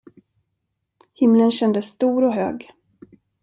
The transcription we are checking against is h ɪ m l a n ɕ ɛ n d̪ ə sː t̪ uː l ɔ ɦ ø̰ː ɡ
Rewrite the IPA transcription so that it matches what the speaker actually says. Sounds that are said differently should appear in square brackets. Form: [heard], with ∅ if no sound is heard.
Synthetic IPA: h ɪ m l [ə] n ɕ ɛ n d̪ ə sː t̪ uː [ɾ] ɔ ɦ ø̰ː ɡ